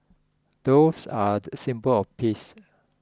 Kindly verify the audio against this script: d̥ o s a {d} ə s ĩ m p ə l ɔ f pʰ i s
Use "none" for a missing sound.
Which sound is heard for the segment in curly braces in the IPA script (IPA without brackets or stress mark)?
d